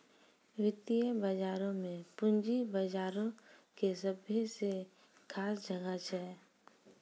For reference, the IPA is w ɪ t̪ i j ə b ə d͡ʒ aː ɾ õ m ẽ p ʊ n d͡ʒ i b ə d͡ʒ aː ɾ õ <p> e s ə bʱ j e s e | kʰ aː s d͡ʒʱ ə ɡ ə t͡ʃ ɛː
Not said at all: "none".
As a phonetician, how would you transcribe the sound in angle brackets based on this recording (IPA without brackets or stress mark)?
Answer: k